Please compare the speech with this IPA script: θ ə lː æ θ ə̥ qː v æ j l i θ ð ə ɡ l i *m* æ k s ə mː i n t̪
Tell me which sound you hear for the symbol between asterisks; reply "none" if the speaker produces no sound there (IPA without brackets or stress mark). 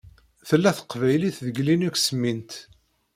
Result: n